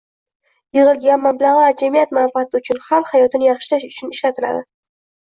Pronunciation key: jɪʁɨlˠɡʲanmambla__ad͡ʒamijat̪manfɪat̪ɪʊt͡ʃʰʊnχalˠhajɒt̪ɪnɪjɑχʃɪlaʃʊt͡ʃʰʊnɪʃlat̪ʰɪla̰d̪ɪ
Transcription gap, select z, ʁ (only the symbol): ʁ